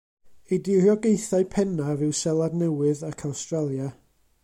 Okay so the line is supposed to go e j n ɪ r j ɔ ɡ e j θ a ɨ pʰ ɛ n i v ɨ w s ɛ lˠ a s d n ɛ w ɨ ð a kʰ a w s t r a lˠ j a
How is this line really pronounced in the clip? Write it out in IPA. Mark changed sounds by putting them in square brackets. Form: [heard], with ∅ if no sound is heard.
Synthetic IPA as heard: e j [d] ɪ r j ɔ ɡ e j θ a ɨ pʰ ɛ n [a] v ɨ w s ɛ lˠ a [∅] d n ɛ w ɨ ð a kʰ a w s t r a lˠ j a